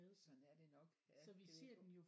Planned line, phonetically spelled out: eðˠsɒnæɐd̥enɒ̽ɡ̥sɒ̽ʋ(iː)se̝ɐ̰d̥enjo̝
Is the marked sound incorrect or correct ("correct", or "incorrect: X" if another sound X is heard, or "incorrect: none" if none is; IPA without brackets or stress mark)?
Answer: incorrect: i